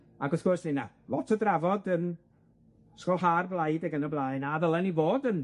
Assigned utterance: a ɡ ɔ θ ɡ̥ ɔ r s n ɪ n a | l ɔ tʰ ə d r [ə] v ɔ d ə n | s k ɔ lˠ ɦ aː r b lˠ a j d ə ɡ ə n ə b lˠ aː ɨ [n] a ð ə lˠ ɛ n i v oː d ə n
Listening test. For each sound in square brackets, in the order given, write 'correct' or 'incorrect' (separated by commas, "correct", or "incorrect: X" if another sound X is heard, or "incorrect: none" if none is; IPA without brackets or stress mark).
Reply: incorrect: a, correct